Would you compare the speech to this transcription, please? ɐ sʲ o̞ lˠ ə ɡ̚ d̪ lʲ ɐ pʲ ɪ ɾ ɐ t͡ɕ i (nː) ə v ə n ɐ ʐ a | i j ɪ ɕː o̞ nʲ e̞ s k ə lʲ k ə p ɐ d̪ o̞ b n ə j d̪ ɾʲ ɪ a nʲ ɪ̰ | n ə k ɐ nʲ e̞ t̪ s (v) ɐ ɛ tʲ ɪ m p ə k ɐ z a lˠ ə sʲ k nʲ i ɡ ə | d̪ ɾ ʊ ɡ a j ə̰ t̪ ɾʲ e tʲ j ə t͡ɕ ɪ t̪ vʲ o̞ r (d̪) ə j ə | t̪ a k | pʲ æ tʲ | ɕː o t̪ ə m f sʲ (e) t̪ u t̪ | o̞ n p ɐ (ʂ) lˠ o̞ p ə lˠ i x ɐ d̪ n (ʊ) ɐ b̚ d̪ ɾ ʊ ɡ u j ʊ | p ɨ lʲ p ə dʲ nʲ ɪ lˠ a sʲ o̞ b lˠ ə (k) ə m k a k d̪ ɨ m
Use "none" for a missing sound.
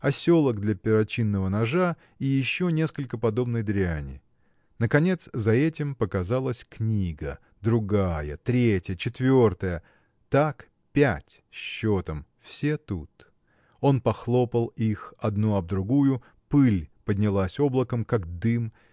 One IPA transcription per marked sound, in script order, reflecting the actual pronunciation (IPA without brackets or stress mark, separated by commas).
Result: nː, z, t̪, e, x, u, k